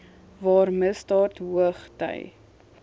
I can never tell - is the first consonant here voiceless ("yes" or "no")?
no